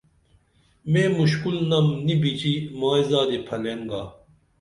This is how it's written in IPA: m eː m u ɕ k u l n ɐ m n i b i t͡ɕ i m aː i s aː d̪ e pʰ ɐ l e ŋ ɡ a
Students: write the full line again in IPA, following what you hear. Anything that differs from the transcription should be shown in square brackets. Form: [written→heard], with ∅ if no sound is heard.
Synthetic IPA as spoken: m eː m u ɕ k u l n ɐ m n i b i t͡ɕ i m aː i [s→z] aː d̪ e pʰ ɐ l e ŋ ɡ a